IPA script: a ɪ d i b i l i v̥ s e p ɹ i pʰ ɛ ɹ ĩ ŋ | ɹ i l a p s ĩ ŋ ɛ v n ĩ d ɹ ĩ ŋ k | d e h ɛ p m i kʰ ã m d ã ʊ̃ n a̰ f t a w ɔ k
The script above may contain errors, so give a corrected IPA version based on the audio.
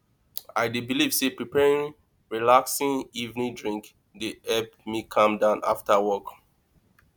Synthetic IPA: a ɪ d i b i l i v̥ s e p ɹ i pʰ ɛ ɹ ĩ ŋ | ɹ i l a k s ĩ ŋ i v n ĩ d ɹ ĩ ŋ k | d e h ɛ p m i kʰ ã m d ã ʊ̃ n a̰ f t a w ɔ k